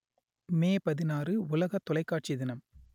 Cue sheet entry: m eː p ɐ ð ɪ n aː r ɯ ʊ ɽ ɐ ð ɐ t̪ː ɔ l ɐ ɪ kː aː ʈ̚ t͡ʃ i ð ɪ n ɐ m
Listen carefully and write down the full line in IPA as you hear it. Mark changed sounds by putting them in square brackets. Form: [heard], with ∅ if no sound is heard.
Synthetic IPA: m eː p ɐ ð ɪ n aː r ɯ ʊ [l] ɐ [ɣ] ɐ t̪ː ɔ l ɐ ɪ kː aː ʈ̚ t͡ʃ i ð ɪ n ɐ m